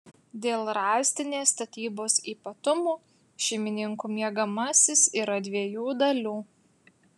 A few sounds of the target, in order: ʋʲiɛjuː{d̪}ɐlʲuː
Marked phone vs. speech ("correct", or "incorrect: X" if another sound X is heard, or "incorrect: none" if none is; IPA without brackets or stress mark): correct